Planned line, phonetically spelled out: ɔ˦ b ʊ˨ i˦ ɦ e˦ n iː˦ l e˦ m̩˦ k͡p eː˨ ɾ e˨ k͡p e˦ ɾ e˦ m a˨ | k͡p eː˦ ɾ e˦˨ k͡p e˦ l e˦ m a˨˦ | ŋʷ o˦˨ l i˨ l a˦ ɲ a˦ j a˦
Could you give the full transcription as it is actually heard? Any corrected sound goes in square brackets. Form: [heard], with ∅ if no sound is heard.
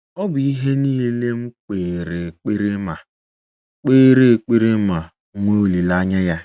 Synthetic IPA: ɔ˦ b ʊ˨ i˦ ɦ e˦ n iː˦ l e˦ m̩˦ k͡p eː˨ ɾ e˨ k͡p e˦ ɾ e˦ m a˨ | k͡p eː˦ ɾ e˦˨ k͡p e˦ [ɾ] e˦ m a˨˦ | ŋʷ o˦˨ l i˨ l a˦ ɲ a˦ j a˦

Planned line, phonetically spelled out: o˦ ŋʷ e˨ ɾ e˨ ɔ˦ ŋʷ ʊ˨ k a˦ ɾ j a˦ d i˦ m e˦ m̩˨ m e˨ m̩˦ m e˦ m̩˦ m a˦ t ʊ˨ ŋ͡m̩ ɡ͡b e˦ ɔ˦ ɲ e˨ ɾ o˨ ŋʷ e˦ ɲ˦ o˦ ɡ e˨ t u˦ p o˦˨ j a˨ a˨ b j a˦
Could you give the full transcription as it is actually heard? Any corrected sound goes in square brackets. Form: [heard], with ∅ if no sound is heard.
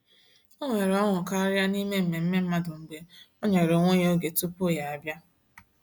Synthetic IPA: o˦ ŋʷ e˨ ɾ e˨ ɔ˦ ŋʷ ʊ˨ k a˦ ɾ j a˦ [n] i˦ m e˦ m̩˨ m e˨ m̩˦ m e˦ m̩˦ m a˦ [d] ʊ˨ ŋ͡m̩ ɡ͡b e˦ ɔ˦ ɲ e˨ ɾ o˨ ŋʷ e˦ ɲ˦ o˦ ɡ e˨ t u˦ p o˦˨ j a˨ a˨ b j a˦

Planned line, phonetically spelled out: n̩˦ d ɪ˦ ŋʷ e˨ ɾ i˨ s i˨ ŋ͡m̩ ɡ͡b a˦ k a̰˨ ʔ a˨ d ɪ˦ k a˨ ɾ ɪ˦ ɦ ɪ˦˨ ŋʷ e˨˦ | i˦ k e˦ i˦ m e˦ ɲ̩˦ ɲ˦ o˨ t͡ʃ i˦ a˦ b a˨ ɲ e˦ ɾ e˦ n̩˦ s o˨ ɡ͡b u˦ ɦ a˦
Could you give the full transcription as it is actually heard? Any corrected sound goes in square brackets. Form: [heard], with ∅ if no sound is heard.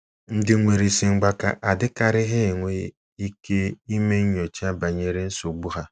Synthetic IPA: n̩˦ d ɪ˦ ŋʷ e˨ ɾ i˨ s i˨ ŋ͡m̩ ɡ͡b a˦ k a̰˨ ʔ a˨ d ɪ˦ k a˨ ɾ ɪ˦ ɦ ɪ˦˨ ŋʷ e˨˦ | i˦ k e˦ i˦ m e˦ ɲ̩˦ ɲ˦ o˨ t͡ʃ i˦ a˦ b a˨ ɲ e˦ ɾ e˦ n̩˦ s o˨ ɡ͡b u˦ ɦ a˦

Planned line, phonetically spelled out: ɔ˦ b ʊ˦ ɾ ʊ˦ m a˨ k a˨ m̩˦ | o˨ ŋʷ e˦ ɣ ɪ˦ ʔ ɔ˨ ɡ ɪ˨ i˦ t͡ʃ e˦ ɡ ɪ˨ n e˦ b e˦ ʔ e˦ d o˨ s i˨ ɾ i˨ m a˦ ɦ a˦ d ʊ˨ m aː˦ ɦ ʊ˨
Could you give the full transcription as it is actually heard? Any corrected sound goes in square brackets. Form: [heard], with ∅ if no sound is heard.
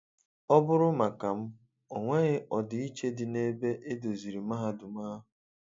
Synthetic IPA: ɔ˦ b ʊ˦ ɾ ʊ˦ m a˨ k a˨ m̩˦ | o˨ ŋʷ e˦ ɣ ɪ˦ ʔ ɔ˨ [d] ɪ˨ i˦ t͡ʃ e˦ [d] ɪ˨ n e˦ b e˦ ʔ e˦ d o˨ [z] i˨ ɾ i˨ m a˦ ɦ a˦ d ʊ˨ m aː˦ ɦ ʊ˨

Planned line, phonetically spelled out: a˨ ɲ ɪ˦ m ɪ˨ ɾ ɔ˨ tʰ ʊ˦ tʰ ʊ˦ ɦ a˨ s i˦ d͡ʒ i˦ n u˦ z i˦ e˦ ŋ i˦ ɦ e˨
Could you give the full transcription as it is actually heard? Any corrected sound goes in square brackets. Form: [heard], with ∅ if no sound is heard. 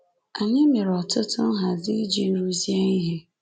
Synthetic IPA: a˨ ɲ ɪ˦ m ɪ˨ ɾ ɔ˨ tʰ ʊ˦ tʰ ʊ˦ ɦ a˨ [z] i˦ d͡ʒ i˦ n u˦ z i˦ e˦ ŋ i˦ ɦ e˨

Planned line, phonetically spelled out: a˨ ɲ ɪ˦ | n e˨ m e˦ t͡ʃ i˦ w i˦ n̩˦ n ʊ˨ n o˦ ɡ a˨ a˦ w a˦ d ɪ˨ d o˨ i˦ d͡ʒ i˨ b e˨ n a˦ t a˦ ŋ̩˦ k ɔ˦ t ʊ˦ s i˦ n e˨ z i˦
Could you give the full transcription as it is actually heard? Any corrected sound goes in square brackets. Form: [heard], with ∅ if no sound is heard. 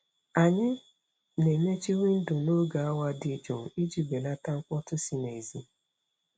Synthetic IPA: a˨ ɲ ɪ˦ | n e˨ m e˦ t͡ʃ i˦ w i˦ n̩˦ [d] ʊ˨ n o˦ ɡ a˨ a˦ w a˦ d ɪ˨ [d͡ʒ] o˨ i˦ d͡ʒ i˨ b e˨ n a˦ t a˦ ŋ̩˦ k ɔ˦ t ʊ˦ s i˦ n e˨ z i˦

